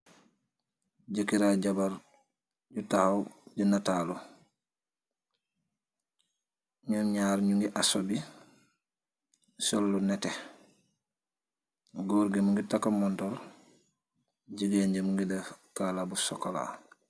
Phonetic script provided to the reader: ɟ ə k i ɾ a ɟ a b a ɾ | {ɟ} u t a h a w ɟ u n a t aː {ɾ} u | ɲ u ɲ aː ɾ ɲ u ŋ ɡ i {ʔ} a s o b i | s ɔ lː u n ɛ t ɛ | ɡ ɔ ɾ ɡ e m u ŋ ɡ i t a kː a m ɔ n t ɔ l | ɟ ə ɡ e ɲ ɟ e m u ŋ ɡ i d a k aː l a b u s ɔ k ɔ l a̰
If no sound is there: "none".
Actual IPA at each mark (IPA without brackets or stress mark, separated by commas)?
ɟ, l, ʔ